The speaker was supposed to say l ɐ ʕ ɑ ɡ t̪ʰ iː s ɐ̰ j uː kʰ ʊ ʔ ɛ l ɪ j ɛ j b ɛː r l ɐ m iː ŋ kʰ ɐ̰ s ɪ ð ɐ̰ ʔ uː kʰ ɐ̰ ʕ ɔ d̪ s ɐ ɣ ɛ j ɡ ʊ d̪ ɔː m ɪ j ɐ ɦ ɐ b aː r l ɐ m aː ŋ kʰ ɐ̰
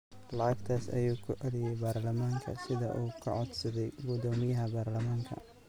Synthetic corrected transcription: l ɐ ʕ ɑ ɡ t̪ʰ aː s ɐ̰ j uː kʰ ʊ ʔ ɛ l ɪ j ɛ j b aː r l ɐ m aː ŋ kʰ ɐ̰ s ɪ ð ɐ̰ ʔ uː kʰ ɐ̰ ʕ ɔ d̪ s ɐ ð ɛ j ɡ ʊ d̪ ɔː m ɪ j ɐ ɦ ɐ b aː r l ɐ m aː ŋ kʰ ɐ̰